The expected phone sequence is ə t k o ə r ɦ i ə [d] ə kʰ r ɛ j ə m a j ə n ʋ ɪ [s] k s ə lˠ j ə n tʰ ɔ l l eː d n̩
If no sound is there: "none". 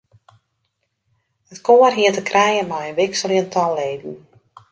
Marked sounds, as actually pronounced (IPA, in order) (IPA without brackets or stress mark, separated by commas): t, none